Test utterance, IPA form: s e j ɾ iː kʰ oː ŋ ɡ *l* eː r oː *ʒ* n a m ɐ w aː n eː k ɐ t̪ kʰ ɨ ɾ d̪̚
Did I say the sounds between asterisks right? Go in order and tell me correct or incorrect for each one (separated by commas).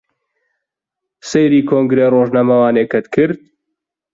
incorrect, correct